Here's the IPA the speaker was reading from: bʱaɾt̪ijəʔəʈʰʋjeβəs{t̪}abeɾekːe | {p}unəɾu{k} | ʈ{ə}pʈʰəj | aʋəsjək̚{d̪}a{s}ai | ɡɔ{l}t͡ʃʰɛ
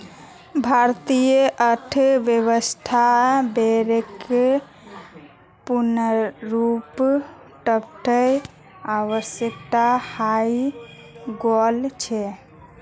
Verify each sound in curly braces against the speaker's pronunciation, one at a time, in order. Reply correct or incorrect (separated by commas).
incorrect, correct, incorrect, correct, incorrect, incorrect, correct